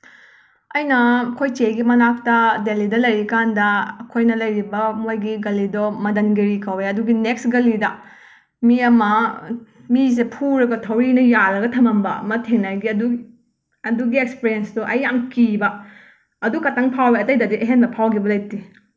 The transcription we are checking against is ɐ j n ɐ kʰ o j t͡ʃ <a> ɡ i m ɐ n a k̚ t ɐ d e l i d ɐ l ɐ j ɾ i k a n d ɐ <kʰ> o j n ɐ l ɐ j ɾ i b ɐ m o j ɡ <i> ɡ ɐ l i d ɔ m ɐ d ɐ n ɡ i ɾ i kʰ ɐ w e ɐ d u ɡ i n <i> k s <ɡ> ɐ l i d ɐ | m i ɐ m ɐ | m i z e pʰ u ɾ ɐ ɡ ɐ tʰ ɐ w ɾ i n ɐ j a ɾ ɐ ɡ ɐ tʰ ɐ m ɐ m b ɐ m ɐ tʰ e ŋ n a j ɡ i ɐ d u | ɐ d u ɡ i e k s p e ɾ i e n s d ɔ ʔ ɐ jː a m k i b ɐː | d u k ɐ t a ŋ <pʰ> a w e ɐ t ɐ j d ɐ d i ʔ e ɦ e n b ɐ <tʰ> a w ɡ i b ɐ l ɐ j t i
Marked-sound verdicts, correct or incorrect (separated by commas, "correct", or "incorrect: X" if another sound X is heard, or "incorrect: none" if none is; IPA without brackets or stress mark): incorrect: e, correct, correct, incorrect: e, correct, correct, incorrect: pʰ